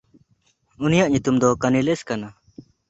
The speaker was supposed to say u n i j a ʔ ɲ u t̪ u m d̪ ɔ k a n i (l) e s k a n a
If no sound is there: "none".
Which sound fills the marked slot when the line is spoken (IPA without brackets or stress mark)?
l